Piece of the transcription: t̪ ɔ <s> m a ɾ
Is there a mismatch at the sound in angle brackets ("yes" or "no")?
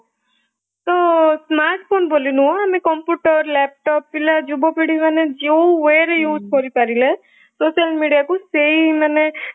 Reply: no